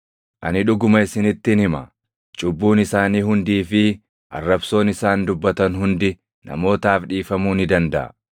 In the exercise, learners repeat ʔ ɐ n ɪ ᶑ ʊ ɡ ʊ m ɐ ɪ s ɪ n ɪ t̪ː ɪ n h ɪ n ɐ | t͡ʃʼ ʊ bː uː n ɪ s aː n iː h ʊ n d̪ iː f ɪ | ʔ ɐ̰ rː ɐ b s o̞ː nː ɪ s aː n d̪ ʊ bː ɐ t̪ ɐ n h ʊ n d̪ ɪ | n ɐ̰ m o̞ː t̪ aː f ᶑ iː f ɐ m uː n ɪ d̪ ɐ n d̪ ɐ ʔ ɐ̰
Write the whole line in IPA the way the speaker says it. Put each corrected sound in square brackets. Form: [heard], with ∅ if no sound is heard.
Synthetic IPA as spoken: ʔ ɐ n ɪ ᶑ ʊ ɡ ʊ m ɐ ɪ s ɪ n ɪ t̪ː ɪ n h ɪ [m] ɐ | t͡ʃʼ ʊ bː uː n ɪ s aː n iː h ʊ n d̪ iː f ɪ | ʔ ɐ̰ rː ɐ b s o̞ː [n] ɪ s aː n d̪ ʊ bː ɐ t̪ ɐ n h ʊ n d̪ ɪ | n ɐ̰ m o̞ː t̪ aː f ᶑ iː f ɐ m uː n ɪ d̪ ɐ n d̪ ɐ ʔ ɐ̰